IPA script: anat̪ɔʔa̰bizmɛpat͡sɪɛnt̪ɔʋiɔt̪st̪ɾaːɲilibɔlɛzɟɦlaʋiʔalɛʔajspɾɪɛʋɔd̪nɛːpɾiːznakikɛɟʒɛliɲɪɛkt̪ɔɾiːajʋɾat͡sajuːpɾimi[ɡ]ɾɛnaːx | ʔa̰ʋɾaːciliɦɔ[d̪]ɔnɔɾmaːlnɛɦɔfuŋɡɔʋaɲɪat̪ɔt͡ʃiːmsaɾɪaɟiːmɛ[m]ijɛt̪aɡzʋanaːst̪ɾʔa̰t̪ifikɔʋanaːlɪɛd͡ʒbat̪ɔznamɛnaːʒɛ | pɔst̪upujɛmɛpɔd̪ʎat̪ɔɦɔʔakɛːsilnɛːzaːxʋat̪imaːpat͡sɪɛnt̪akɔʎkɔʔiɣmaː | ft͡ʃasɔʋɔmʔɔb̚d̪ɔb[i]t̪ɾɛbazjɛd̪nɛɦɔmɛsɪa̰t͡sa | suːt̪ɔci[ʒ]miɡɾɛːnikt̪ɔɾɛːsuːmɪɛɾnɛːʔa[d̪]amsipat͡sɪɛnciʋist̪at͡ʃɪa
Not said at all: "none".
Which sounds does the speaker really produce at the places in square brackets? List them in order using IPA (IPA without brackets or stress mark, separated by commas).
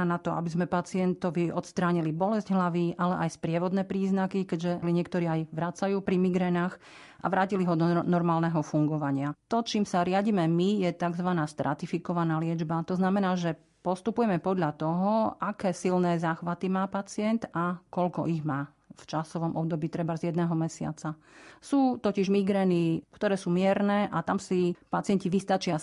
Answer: ɡ, d̪, m, iː, ʒ, t̪